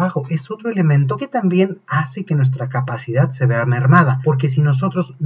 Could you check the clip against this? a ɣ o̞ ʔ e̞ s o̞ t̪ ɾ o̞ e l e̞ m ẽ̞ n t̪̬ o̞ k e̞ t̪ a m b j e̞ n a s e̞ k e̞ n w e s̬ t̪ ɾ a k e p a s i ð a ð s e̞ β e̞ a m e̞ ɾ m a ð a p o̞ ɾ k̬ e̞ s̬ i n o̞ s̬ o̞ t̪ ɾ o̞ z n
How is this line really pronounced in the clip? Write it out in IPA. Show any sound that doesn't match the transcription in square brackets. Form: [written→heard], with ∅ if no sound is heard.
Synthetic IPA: a [ɣ→x] o̞ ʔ e̞ s o̞ t̪ ɾ o̞ e l e̞ m ẽ̞ n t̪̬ o̞ k e̞ t̪ a m b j e̞ n a s e̞ k e̞ n w e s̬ t̪ ɾ a k [e→a] p a s i ð a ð s e̞ β e̞ a m e̞ ɾ m a ð a p o̞ ɾ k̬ e̞ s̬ i n o̞ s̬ o̞ t̪ ɾ o̞ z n